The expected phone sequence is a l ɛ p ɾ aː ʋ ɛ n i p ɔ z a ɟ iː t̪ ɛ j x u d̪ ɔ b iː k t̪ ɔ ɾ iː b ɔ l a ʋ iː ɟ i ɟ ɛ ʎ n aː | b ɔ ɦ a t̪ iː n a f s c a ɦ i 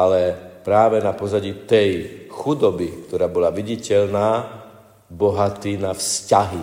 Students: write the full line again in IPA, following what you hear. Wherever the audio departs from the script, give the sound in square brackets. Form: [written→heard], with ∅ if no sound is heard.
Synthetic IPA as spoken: a l ɛ p ɾ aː ʋ ɛ n [i→a] p ɔ z a ɟ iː t̪ ɛ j x u d̪ ɔ b [iː→i] k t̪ ɔ ɾ [iː→aː] b ɔ l a ʋ [iː→i] ɟ i [ɟ→c] ɛ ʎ n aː | b ɔ ɦ a t̪ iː n a f s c a ɦ i